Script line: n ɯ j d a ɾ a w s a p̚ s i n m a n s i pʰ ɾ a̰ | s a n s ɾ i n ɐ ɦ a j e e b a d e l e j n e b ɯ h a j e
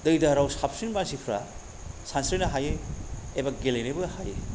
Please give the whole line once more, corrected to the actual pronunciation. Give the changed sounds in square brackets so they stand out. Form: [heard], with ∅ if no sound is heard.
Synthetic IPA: [d] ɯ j d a ɾ a w s a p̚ s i n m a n s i pʰ ɾ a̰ | s a n s ɾ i n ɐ ɦ a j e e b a [ɡ] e l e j n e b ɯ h a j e